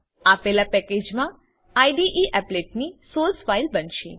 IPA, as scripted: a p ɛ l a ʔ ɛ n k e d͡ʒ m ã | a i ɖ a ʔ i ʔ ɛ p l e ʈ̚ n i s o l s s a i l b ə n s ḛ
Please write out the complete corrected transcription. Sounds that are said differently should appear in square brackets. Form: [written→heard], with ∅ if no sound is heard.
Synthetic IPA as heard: a p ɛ l a [ʔ→p] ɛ [n→∅] k e d͡ʒ m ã | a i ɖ [a→i] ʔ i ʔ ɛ p l e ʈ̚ n i s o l s [s→f] a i l b ə n [s→ʃ] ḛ